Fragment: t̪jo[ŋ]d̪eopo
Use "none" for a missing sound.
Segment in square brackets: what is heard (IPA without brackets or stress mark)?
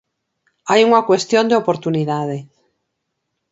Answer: n